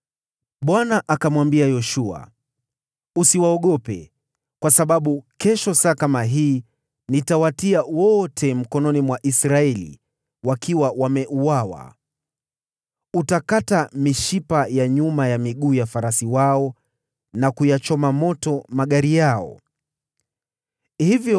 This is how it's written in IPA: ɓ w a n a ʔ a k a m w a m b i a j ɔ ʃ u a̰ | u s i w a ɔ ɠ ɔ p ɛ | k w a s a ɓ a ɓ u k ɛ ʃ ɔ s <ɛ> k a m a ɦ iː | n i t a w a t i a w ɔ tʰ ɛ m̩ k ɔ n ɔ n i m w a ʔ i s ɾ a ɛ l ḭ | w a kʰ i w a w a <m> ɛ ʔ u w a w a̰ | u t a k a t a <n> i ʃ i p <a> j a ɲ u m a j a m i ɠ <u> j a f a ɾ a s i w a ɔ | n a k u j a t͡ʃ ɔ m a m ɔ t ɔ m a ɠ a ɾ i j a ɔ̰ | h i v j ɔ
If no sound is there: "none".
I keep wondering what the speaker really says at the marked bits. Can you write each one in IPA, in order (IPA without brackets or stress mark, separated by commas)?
a, m, m, a, uː